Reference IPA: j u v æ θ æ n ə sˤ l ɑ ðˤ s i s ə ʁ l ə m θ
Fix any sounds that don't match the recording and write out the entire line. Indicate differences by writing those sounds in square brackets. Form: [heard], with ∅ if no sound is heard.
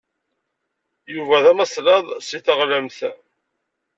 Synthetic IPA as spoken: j u v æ [ð] æ [m] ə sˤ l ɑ ðˤ s i [θ] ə ʁ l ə m θ